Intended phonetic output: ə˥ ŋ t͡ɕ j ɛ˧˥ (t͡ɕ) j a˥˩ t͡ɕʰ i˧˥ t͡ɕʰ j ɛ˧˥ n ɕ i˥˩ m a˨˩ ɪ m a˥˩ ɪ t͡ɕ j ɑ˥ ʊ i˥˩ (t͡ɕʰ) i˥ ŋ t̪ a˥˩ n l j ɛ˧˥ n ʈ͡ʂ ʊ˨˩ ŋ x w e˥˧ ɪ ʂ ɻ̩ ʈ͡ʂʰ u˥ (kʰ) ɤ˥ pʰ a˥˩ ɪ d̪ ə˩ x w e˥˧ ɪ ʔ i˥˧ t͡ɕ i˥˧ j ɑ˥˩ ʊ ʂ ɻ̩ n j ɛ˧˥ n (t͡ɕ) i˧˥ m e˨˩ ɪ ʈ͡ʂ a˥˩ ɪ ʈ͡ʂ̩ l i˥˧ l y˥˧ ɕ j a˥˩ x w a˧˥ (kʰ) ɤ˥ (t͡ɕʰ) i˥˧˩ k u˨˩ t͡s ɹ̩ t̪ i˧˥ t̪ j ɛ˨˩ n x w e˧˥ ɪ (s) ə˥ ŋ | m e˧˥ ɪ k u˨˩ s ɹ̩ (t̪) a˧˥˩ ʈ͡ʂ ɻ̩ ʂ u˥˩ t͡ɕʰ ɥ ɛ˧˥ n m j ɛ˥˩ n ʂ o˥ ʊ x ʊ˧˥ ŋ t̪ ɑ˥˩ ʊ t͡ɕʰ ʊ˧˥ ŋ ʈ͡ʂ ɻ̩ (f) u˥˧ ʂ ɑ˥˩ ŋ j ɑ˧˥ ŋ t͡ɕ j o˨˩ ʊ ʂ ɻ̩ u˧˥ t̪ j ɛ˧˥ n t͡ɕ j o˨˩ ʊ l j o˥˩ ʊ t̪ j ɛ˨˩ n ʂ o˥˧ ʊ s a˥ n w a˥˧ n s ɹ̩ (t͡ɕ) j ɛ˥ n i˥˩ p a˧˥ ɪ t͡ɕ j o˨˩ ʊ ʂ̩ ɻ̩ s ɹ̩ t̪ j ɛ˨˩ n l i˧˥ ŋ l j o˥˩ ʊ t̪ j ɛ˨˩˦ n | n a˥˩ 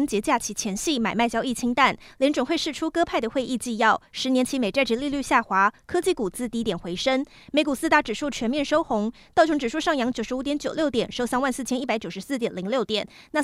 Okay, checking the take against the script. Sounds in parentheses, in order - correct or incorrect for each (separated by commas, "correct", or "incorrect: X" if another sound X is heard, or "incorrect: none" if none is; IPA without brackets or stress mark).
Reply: correct, correct, incorrect: k, incorrect: t͡ɕʰ, correct, incorrect: t͡ɕ, incorrect: ʂ, correct, incorrect: ʂ, incorrect: t͡ɕʰ